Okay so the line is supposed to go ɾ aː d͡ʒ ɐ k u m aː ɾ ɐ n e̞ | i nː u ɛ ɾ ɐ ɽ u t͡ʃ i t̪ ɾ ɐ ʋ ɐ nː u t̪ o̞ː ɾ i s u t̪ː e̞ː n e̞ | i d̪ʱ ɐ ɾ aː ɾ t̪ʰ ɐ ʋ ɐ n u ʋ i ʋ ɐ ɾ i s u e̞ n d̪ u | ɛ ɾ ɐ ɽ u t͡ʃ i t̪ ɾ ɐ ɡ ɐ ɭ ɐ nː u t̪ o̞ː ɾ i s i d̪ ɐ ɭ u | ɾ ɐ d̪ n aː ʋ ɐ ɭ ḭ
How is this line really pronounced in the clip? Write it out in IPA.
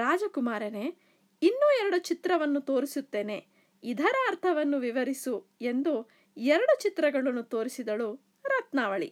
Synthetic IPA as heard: ɾ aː d͡ʒ ɐ k u m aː ɾ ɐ n e̞ | i nː u ɛ ɾ ɐ ɽ u t͡ʃ i t̪ ɾ ɐ ʋ ɐ nː u t̪ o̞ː ɾ i s u t̪ː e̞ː n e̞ | i d̪ʱ ɐ ɾ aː ɾ t̪ʰ ɐ ʋ ɐ nː u ʋ i ʋ ɐ ɾ i s u e̞ n d̪ u | ɛ ɾ ɐ ɽ u t͡ʃ i t̪ ɾ ɐ ɡ ɐ ɭ ɐ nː u t̪ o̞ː ɾ i s i d̪ ɐ ɭ u | ɾ ɐ t̪ n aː ʋ ɐ ɭ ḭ